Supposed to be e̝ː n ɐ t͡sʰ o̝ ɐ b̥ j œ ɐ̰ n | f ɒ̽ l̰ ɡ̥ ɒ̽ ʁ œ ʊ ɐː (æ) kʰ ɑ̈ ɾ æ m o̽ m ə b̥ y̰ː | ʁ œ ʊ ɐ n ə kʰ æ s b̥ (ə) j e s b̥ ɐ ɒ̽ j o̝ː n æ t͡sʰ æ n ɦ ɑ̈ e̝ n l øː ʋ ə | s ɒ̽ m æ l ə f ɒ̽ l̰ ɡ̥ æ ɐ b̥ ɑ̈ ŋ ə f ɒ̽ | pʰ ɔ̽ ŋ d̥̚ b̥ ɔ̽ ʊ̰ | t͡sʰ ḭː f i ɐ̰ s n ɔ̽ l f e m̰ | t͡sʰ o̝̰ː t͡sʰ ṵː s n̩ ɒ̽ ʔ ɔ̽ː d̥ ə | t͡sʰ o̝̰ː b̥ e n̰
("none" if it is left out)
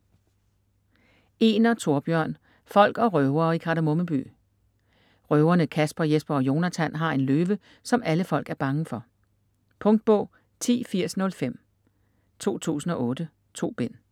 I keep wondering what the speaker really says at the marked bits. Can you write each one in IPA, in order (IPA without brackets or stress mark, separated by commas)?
i, ɐ